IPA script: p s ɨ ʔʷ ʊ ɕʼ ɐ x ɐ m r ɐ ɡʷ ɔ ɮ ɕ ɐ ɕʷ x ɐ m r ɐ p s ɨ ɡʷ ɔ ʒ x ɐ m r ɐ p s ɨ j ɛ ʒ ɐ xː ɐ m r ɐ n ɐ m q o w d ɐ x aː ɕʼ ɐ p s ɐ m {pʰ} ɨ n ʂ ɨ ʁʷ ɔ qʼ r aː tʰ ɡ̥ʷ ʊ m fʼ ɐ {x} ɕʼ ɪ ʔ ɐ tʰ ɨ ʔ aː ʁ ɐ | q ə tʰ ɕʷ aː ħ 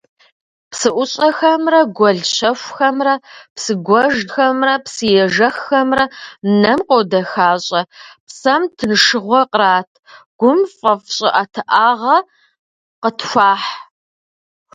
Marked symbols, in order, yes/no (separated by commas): no, no